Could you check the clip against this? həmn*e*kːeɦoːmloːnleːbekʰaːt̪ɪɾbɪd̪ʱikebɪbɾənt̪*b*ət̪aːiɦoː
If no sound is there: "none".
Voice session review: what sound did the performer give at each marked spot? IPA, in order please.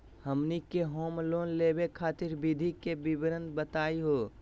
i, b

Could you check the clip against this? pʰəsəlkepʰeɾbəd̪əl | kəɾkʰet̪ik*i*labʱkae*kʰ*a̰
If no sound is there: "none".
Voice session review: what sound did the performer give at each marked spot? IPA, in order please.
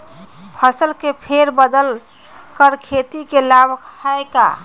e, k

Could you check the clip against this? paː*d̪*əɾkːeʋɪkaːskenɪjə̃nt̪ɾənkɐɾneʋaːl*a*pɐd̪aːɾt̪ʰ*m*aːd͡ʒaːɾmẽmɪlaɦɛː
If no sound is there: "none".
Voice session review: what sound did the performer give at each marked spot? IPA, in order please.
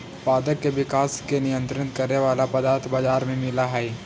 d̪, a, b

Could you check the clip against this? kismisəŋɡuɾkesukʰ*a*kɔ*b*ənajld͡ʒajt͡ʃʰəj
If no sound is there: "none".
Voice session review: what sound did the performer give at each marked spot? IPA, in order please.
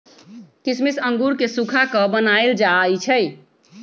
a, b

